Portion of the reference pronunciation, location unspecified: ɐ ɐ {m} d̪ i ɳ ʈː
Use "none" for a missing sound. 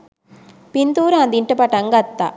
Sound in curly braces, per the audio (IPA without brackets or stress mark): n